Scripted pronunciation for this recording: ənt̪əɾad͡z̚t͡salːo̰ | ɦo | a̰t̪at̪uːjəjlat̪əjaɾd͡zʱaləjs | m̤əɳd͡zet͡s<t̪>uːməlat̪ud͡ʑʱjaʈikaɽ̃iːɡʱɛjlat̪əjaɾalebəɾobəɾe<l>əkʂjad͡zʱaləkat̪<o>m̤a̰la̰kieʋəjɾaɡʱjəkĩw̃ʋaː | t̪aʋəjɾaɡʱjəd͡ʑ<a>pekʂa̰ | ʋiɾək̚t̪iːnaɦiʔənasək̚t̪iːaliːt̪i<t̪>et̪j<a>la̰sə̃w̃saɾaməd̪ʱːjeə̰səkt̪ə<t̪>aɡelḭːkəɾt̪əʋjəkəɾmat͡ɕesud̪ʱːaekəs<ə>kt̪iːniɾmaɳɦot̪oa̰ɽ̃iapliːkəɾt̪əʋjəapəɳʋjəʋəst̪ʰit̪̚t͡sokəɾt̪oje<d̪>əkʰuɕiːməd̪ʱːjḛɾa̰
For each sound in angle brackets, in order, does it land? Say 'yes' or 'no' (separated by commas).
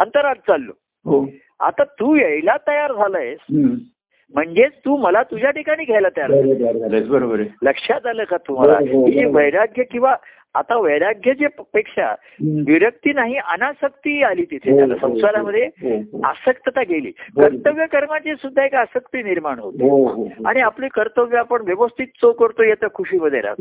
yes, yes, no, no, no, yes, yes, yes, no